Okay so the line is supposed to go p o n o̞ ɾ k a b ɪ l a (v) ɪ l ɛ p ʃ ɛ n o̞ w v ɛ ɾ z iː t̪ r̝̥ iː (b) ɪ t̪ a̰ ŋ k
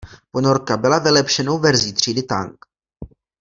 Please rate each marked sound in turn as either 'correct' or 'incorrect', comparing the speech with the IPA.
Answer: correct, incorrect

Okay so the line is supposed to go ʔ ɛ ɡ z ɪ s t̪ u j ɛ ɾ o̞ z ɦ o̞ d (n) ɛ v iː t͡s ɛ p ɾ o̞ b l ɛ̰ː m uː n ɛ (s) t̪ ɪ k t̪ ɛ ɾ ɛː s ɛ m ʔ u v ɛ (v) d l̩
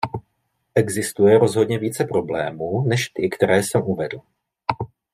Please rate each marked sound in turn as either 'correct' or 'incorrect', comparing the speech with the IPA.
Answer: incorrect, incorrect, incorrect

